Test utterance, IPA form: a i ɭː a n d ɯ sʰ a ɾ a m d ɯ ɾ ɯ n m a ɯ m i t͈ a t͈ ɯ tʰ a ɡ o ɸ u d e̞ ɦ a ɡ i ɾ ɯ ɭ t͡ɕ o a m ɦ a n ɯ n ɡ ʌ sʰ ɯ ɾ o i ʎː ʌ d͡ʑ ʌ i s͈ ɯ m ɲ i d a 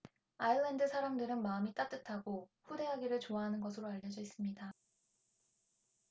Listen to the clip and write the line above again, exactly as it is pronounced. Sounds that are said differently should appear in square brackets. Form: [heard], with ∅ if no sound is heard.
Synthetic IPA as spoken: a i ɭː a n d ɯ sʰ a ɾ a m d ɯ ɾ ɯ n m a ɯ m i t͈ a t͈ ɯ tʰ a ɡ o ɸ u d e̞ ɦ a ɡ i ɾ ɯ ɭ t͡ɕ o a [∅] ɦ a n ɯ n ɡ ʌ sʰ ɯ ɾ o [a] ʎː ʌ d͡ʑ ʌ i s͈ ɯ m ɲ i d a